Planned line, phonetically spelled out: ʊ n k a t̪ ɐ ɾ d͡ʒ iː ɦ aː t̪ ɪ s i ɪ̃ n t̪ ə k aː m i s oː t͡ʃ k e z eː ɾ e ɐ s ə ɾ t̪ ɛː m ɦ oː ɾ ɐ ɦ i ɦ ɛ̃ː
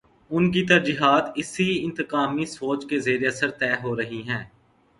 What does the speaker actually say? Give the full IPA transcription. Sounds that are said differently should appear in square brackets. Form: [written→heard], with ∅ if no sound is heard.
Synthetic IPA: ʊ n k [a→i] t̪ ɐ ɾ d͡ʒ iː ɦ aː t̪ ɪ s i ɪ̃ n t̪ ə k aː m i s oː t͡ʃ k e z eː ɾ e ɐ s ə ɾ t̪ ɛː [m→∅] ɦ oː ɾ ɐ ɦ i ɦ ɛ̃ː

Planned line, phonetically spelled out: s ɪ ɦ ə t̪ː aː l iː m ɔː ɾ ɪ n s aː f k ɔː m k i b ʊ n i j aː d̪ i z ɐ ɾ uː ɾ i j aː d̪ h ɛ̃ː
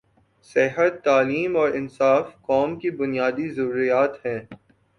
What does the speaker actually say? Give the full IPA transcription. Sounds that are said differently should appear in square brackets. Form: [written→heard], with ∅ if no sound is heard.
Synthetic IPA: s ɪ ɦ ə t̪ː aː l iː m ɔː ɾ ɪ n s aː f k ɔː m k i b ʊ n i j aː d̪ i z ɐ ɾ uː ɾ i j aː [d̪→t̪] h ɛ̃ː

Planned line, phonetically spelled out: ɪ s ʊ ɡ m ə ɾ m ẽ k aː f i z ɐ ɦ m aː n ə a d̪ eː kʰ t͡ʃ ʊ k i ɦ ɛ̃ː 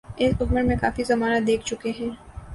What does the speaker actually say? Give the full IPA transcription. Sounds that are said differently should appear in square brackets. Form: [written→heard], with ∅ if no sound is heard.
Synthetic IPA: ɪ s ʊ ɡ m ə ɾ m ẽ k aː f i z ɐ [ɦ→∅] m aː n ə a d̪ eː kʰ t͡ʃ ʊ k [i→e] ɦ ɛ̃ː

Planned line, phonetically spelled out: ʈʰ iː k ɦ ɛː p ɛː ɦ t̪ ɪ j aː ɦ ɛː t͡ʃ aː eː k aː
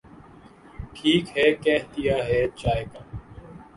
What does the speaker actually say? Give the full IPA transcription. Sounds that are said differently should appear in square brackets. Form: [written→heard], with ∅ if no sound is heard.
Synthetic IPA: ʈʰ iː k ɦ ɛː [p→k] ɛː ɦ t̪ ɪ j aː ɦ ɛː t͡ʃ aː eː k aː

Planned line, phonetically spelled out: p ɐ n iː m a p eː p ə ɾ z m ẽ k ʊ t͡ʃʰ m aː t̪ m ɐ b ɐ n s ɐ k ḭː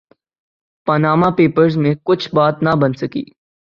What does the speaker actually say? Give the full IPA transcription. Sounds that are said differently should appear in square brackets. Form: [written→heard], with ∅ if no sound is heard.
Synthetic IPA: p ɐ n [iː→aː] m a p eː p ə ɾ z m ẽ k ʊ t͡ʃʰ [m→b] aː t̪ [m→n] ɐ b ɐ n s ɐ k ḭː

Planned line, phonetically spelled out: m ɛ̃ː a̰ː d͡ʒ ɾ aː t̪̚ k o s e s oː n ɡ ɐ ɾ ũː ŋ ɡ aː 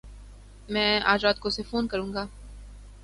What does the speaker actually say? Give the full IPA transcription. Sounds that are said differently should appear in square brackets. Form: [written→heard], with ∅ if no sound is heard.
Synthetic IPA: m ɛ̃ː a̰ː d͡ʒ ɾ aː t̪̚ k o s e [s→f] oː n [ɡ→k] ɐ ɾ ũː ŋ ɡ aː

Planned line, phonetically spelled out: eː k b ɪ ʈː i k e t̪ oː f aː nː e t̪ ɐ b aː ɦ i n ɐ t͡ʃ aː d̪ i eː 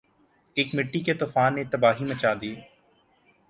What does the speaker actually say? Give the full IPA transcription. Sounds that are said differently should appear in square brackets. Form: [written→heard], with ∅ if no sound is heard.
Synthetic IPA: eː k [b→m] ɪ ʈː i k e t̪ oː f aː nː e t̪ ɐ b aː ɦ i [n→m] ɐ t͡ʃ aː d̪ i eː

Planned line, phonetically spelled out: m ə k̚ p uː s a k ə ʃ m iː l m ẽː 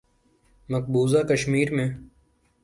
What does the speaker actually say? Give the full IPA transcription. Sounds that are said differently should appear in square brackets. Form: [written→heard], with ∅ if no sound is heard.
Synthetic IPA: m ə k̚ [p→b] uː [s→z] a k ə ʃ m iː [l→ɾ] m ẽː

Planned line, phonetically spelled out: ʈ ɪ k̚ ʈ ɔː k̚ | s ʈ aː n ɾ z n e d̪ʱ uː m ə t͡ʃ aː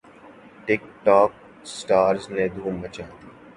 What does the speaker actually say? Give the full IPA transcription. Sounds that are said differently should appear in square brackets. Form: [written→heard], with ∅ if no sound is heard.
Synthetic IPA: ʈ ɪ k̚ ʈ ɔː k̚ | s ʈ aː [n→∅] ɾ z n e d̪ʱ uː m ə t͡ʃ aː

